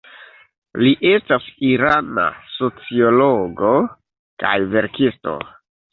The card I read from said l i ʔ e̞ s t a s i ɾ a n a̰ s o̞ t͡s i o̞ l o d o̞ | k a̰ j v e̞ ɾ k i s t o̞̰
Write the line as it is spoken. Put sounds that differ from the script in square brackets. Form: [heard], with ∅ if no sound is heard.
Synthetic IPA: l i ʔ e̞ s t a s i ɾ a n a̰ s o̞ t͡s i o̞ l o [ɡ] o̞ | k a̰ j v e̞ ɾ k i s t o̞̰